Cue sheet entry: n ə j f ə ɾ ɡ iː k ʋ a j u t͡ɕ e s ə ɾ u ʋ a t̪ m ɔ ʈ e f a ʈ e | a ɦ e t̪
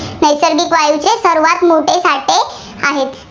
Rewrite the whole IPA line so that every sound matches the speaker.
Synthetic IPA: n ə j s ə ɾ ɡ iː k ʋ a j u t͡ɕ e s ə ɾ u ʋ a t̪ m o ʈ e s a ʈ e | a ɦ e t̪

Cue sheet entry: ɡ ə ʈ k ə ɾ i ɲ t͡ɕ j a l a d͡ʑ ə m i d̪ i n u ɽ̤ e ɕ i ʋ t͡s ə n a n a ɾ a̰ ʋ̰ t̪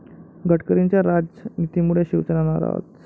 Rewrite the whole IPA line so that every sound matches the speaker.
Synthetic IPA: ɡ ə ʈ k ə ɾ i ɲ t͡ɕ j a ɾ a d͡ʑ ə n i t̪ i m u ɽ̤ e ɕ i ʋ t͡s ə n a n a ɾ a̰ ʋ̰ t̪

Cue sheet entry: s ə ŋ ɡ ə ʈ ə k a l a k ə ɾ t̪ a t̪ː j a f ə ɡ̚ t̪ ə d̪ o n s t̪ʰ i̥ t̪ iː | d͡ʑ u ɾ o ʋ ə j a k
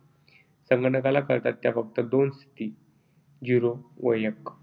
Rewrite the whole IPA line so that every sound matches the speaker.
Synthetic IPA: s ə ŋ ɡ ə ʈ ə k a l a k ə ɾ t̪ a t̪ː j a f ə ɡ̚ t̪ ə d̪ o n s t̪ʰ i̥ t̪ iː | d͡ʑ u ɾ o ʋ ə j ə k

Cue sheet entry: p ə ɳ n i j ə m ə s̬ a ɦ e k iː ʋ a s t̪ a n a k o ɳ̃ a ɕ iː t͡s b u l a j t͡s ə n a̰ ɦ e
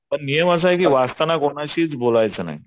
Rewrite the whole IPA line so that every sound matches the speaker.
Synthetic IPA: p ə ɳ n i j ə m ə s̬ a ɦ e k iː ʋ a s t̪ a n a k o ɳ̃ a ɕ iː t͡s b o l a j t͡s ə n a̰ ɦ i

